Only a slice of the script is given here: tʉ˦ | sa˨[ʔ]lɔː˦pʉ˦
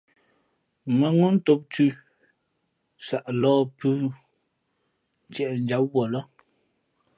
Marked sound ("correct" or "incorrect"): correct